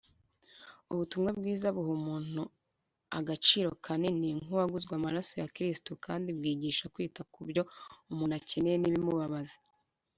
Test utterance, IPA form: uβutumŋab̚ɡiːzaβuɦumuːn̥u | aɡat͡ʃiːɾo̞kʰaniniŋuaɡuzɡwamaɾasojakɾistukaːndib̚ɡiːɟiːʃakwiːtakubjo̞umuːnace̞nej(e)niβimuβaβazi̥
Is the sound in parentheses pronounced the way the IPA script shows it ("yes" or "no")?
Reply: yes